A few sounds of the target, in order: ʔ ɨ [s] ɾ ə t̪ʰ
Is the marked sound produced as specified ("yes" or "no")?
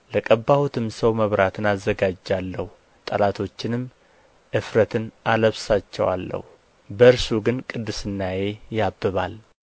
no